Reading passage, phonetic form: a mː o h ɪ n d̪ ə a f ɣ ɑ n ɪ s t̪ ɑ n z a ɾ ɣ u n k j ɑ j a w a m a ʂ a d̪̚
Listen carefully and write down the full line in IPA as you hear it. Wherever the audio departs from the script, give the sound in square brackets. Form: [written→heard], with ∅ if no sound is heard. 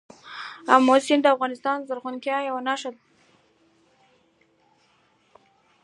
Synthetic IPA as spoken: a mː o [h→s] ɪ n d̪ ə a f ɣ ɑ n ɪ s t̪ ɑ n z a ɾ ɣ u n k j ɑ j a w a [m→n] a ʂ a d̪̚